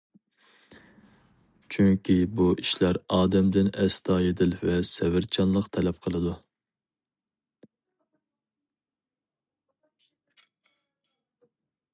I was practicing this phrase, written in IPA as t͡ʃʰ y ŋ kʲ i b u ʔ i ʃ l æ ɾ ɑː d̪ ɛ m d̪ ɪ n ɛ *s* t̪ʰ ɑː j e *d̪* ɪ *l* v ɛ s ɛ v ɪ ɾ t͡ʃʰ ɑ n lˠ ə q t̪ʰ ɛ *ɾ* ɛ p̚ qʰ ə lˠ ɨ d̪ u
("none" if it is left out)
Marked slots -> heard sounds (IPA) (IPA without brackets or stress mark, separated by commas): s, d̪, l, l